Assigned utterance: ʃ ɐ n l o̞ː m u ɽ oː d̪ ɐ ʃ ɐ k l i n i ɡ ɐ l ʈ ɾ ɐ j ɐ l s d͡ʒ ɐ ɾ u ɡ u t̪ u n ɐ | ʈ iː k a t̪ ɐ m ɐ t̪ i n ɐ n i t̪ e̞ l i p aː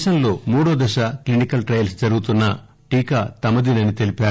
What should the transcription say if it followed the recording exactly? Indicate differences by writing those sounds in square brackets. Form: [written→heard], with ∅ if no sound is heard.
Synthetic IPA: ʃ ɐ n l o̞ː m [u→uː] ɽ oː d̪ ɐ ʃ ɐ k l i n i [ɡ→k] ɐ l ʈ ɾ ɐ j ɐ l s d͡ʒ ɐ ɾ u ɡ u t̪ u [n→nː] ɐ | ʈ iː k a t̪ ɐ m ɐ [t̪→d̪] i n ɐ n i t̪ e̞ l i p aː